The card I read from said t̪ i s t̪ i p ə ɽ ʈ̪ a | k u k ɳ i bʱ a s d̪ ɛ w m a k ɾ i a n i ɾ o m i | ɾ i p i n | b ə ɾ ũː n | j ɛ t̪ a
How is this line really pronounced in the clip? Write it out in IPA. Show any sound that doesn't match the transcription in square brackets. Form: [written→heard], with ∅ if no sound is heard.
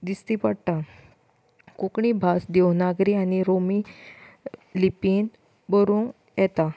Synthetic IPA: [t̪→d̪] i s t̪ i p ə ɽ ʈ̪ a | k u k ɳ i bʱ a s d̪ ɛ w [m→n] a [k→ɡ] ɾ i a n i ɾ o m i | [ɾ→l] i p i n | b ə ɾ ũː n | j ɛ t̪ a